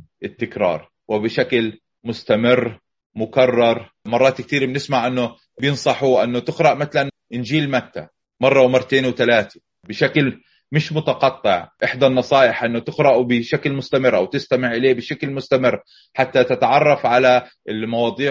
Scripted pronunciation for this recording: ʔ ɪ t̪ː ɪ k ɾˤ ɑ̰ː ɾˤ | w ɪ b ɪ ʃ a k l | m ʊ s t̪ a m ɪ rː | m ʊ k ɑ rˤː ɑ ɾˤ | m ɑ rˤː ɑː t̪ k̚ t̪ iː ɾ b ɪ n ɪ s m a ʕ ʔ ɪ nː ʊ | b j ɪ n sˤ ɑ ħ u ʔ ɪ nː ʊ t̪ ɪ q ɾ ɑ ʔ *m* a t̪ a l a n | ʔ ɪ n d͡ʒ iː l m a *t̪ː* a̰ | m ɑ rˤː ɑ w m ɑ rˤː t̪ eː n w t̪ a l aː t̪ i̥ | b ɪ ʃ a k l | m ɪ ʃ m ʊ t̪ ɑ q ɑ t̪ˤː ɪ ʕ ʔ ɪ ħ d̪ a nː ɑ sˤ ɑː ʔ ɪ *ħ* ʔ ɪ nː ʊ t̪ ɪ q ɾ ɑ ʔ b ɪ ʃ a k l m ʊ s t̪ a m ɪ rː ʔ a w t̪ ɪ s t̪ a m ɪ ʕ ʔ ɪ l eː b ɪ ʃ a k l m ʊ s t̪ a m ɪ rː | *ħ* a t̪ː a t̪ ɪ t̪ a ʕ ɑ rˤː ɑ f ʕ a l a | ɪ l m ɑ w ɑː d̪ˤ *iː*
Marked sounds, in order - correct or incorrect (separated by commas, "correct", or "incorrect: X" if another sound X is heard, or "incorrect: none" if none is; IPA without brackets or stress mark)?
correct, correct, correct, correct, correct